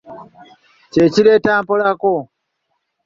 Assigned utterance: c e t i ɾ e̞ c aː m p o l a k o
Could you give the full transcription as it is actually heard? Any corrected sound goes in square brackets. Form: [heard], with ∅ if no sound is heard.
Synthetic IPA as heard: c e [c] i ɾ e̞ [t] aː m p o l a k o

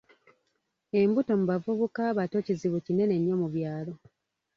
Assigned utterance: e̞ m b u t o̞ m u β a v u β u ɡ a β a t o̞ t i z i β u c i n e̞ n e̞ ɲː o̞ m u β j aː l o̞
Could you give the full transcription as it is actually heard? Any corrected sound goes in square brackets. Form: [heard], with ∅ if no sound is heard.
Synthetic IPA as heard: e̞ m b u t o̞ m u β a v u β u [k] a β a t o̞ [c] i z i β u c i n e̞ n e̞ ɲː o̞ m u β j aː l o̞

